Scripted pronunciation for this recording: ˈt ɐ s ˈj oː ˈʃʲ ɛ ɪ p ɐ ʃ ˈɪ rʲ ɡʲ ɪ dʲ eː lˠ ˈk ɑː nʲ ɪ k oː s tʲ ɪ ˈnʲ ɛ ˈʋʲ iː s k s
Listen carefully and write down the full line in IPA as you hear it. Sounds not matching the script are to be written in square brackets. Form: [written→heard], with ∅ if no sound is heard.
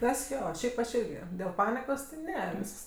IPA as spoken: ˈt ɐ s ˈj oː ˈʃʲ ɛ ɪ p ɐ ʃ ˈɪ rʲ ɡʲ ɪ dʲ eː lˠ [ˈk→ˈp] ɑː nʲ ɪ k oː s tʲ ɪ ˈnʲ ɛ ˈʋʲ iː s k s